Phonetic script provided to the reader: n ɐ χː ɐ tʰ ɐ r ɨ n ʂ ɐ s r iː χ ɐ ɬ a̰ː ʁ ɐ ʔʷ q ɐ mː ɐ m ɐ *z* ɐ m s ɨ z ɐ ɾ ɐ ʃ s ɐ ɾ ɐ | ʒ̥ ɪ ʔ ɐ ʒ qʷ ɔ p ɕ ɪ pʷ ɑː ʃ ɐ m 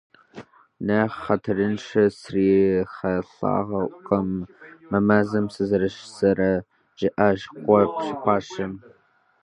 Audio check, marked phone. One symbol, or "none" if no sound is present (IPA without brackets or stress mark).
z